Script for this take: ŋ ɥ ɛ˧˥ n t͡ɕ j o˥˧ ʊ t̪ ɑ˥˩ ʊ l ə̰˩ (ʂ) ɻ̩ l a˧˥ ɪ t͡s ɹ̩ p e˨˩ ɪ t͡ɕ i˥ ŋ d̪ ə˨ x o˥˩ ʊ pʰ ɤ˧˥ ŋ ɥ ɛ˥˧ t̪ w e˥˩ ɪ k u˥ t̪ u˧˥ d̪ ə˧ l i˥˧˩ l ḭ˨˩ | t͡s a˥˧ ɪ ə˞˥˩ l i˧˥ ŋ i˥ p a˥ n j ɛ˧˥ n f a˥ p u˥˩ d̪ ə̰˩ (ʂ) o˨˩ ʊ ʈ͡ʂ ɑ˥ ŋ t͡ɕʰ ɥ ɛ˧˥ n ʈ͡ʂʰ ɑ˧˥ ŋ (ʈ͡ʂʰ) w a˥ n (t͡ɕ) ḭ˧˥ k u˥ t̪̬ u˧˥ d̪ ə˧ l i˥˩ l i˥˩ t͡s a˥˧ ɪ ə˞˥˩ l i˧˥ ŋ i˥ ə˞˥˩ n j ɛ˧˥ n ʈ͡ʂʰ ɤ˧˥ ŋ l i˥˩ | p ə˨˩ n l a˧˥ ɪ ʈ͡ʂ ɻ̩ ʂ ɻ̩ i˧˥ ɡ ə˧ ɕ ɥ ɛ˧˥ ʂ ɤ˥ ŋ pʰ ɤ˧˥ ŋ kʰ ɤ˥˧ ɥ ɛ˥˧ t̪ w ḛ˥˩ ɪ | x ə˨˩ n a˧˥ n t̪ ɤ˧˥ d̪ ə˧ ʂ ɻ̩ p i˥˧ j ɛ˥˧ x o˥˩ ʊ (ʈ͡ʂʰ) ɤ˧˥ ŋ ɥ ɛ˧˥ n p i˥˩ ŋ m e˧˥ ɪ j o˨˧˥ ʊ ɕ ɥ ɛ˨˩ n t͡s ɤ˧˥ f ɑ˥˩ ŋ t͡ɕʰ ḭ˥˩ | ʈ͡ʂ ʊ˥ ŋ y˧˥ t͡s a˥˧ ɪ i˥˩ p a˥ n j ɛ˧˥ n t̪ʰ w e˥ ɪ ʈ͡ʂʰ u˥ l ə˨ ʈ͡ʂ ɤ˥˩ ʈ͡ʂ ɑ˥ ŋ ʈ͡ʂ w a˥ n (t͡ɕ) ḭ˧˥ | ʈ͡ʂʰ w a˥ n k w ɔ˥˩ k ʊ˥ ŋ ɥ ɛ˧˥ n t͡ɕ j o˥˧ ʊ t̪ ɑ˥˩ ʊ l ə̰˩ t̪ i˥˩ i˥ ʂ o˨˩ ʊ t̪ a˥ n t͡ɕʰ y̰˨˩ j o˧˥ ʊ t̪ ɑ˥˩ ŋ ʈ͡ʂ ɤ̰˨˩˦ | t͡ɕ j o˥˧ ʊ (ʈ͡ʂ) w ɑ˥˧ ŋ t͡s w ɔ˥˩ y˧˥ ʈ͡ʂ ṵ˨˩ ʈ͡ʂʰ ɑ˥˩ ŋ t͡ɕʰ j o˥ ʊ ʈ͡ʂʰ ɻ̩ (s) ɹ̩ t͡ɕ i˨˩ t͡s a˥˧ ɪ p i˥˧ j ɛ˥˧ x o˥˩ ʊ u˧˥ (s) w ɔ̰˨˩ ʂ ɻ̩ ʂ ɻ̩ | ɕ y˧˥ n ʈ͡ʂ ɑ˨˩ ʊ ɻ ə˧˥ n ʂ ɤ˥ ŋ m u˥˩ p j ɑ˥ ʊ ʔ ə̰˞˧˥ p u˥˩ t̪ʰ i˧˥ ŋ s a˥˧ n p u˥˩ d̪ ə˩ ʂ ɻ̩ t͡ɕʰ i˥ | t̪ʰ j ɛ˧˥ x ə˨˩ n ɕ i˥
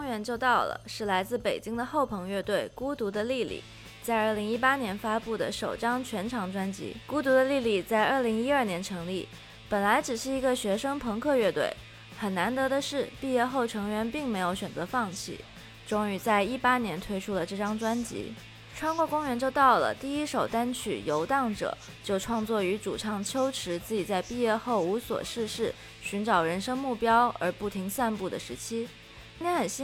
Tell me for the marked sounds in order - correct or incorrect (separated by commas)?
correct, correct, incorrect, correct, correct, correct, incorrect, incorrect, correct